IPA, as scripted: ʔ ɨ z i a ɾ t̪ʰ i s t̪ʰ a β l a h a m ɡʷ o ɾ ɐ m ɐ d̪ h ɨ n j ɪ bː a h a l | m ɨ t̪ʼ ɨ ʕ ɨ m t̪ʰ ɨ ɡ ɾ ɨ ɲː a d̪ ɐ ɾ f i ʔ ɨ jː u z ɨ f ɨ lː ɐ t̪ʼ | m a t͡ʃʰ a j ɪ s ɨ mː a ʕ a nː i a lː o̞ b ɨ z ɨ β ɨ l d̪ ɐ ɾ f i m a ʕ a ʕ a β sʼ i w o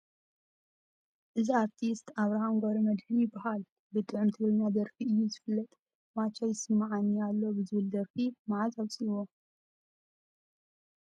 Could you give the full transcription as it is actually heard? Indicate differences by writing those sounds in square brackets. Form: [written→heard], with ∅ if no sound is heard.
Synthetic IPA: ʔ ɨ z i a ɾ t̪ʰ i s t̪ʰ a β [l→ɾ] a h a m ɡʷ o ɾ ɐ m ɐ d̪ h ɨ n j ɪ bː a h a l | [m→b] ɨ t̪ʼ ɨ ʕ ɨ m t̪ʰ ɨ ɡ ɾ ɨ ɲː a d̪ ɐ ɾ f i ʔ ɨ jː u z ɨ f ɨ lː ɐ t̪ʼ | m a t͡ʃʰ a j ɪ s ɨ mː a ʕ a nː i a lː o̞ b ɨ z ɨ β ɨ l d̪ ɐ ɾ f i m a ʕ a [ʕ→z] a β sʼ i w o